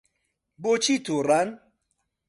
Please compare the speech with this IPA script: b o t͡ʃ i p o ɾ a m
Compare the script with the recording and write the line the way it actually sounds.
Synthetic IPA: b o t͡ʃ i t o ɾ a n